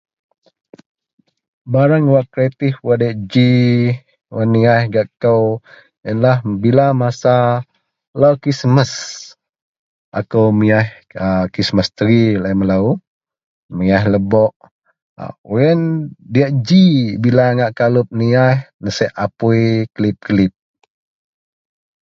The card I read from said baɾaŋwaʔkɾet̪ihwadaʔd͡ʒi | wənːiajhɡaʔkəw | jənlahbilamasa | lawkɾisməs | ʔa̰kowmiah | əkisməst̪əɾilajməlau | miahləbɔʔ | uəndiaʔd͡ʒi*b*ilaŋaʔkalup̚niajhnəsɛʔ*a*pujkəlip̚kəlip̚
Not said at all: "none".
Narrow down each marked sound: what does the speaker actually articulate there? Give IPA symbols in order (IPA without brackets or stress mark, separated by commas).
b, a